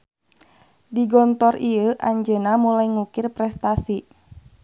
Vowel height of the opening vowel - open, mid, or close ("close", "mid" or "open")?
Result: close